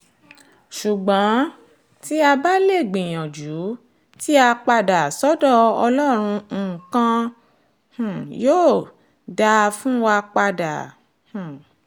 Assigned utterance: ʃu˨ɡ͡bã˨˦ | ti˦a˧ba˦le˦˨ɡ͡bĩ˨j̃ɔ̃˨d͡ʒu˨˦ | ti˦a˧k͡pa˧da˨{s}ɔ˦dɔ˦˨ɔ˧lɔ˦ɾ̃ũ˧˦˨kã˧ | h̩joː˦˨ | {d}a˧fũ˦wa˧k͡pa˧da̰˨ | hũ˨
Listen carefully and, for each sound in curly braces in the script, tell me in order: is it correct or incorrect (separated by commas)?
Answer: correct, correct